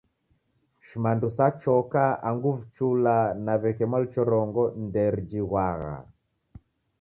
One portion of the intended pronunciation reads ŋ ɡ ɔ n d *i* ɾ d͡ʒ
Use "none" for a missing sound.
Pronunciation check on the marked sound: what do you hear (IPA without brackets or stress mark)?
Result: ɛ